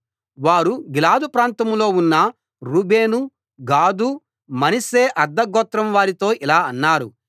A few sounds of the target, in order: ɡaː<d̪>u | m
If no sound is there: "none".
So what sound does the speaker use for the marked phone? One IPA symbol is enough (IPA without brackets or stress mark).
d̪